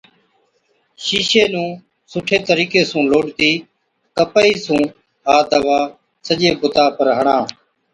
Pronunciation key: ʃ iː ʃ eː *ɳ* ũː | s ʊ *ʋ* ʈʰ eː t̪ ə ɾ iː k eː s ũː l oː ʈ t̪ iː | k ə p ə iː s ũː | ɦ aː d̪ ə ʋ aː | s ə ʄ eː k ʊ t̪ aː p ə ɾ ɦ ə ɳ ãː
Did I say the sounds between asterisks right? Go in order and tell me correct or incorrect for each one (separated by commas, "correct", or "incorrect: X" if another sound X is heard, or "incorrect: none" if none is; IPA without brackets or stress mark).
incorrect: n, incorrect: none